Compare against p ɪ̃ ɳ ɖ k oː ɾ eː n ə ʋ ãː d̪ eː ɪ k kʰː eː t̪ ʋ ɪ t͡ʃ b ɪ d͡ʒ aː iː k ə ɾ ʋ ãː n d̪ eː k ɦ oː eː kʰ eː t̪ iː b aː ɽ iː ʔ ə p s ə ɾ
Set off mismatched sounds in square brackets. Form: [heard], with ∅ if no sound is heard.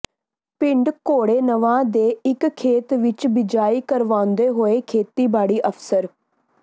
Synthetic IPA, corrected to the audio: p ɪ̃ ɳ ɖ k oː [ɽ] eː n ə ʋ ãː d̪ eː ɪ k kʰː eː t̪ ʋ ɪ t͡ʃ b ɪ d͡ʒ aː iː k ə ɾ ʋ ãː n d̪ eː [∅] ɦ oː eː kʰ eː t̪ iː b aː ɽ iː ʔ ə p s ə ɾ